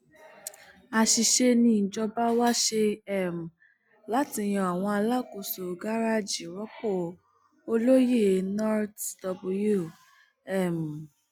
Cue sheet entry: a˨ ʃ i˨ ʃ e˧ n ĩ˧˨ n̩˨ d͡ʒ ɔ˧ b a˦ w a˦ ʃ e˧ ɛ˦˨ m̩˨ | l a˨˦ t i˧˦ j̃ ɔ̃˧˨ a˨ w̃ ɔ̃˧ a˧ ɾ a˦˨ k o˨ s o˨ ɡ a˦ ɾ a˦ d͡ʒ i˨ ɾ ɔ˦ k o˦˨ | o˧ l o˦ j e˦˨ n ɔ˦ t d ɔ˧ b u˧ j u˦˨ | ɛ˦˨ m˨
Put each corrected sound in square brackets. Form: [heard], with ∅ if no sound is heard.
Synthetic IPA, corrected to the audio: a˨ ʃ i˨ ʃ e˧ n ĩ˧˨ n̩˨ d͡ʒ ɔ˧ b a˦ w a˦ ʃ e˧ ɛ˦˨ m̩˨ | l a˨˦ t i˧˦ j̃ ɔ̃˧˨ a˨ w̃ ɔ̃˧ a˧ [l] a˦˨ k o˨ s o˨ ɡ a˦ ɾ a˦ d͡ʒ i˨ ɾ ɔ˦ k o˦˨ | o˧ l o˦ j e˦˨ n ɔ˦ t d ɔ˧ b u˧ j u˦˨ | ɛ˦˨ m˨